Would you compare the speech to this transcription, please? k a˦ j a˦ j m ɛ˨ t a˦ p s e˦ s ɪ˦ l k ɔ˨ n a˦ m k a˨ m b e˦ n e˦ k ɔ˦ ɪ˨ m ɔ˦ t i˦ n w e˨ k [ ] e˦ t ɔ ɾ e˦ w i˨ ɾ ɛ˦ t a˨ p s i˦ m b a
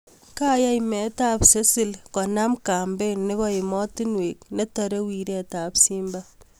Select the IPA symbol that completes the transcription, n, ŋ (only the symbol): n